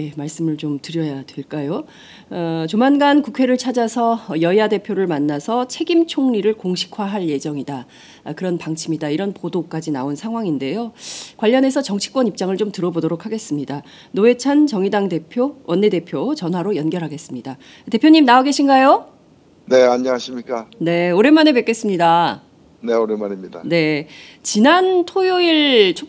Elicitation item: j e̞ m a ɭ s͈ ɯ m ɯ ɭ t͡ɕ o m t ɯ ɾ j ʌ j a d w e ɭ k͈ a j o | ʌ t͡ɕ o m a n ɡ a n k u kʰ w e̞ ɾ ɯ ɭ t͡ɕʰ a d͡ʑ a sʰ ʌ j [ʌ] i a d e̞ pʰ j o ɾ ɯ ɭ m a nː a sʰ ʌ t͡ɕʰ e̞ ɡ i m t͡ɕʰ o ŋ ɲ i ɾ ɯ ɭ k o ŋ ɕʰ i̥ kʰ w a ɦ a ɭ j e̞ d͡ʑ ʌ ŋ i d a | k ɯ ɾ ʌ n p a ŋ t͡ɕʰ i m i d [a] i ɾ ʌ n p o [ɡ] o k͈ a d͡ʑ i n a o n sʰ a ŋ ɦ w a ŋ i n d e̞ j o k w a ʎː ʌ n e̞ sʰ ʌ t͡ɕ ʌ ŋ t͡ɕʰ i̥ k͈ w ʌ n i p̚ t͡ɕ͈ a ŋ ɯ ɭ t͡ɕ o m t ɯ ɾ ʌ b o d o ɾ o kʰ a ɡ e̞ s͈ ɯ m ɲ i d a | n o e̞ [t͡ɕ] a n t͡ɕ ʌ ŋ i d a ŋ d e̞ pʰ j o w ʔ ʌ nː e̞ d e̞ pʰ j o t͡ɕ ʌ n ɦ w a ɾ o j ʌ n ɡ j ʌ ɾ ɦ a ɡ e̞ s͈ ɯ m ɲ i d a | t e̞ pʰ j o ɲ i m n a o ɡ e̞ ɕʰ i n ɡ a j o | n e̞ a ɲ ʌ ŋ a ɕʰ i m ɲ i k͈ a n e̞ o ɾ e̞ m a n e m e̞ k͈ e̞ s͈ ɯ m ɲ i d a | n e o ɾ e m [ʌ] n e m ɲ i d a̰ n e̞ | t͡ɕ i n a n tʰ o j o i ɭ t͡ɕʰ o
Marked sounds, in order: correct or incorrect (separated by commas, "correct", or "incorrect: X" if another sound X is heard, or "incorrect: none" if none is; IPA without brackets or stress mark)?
correct, correct, incorrect: d, incorrect: t͡ɕʰ, incorrect: a